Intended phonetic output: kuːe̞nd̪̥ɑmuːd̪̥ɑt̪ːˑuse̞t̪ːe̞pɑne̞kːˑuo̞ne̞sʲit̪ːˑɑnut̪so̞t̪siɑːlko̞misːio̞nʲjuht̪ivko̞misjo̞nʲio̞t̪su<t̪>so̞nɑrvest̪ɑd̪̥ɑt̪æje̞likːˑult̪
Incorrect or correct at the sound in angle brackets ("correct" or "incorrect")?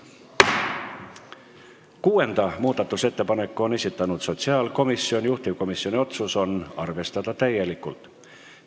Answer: incorrect